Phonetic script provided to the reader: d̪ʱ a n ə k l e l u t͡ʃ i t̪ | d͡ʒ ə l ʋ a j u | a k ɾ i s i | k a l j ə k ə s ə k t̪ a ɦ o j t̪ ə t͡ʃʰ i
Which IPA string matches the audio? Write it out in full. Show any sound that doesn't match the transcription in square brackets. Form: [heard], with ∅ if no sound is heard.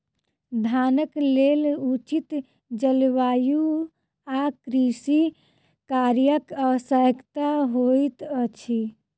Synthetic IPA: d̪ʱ a n ə k l e l u t͡ʃ i t̪ | d͡ʒ ə l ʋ a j u | a k ɾ i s i | k a [ɾ] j ə k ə s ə k t̪ a ɦ o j t̪ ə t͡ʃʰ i